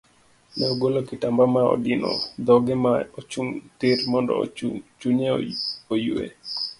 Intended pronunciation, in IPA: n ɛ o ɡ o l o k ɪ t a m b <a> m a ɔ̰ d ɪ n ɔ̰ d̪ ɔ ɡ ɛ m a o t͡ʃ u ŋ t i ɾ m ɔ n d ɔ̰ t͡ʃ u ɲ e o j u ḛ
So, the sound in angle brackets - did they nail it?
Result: yes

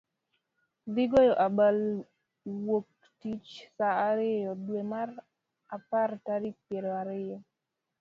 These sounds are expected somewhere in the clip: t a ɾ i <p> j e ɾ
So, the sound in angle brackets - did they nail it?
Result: yes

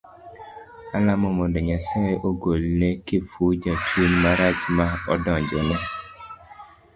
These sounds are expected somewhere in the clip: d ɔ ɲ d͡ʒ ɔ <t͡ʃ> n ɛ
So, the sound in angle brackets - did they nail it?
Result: no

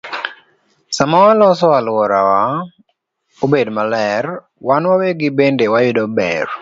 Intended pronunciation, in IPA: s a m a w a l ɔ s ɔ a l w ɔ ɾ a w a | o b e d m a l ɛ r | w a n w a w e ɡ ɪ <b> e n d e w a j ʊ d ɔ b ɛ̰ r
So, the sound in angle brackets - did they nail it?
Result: yes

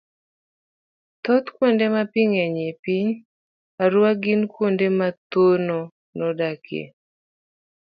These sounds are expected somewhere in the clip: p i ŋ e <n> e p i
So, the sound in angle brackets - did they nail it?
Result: no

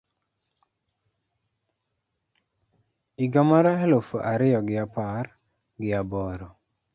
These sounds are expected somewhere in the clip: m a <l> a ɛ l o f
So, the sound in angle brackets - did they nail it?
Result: no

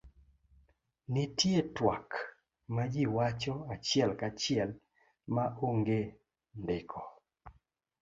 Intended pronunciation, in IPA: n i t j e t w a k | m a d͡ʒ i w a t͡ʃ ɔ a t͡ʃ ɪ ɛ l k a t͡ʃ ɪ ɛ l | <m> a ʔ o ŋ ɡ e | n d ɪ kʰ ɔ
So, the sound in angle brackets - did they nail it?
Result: yes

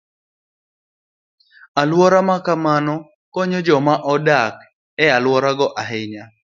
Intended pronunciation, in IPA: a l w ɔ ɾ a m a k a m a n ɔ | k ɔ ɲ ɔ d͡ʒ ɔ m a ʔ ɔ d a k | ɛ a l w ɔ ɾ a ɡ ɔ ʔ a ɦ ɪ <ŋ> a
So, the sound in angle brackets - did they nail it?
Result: no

